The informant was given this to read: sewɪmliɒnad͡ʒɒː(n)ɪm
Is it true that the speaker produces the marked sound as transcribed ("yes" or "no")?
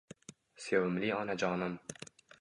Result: yes